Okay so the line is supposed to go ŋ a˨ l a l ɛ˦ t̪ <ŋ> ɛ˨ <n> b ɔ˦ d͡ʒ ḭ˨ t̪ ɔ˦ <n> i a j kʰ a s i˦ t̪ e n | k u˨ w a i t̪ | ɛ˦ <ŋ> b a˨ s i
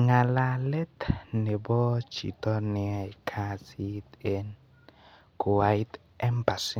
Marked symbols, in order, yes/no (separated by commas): no, no, yes, no